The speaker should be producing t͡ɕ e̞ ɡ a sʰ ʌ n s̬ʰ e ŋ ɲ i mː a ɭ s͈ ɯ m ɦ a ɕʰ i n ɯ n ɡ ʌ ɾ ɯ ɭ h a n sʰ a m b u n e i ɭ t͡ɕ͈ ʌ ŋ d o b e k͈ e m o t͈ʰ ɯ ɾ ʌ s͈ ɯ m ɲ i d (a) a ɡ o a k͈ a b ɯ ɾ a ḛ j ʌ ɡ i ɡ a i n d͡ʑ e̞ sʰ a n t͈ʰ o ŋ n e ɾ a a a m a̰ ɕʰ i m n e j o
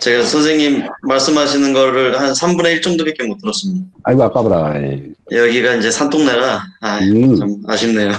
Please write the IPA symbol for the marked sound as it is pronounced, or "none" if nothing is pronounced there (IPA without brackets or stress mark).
a